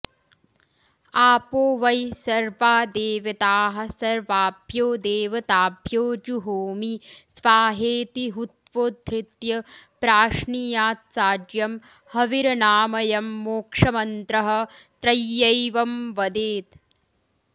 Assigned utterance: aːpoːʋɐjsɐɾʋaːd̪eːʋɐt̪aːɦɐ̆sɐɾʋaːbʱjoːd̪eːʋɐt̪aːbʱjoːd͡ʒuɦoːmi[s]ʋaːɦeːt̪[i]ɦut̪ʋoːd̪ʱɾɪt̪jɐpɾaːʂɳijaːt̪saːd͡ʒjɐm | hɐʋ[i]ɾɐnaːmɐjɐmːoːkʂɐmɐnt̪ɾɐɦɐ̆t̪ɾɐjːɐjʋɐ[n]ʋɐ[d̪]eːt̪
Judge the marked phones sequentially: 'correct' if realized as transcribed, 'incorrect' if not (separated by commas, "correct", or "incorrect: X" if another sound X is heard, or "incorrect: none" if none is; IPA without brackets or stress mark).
correct, correct, correct, incorrect: m, correct